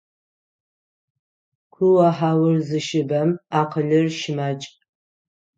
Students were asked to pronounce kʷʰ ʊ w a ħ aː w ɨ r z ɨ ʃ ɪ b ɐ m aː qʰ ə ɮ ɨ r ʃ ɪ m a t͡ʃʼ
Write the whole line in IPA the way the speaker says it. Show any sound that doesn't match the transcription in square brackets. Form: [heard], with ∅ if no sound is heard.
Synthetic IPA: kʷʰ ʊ w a ħ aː w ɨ r z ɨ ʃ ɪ b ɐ m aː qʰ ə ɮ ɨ r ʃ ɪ m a t͡ʃʼ